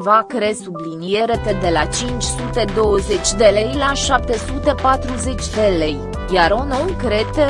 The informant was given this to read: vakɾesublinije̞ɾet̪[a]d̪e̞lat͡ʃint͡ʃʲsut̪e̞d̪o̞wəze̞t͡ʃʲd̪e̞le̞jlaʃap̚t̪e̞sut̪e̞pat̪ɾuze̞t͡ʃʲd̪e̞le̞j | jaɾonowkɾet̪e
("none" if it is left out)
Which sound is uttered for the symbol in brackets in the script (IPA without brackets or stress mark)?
e